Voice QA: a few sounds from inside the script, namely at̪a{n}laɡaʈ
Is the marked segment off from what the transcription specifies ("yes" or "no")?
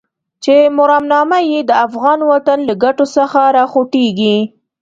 no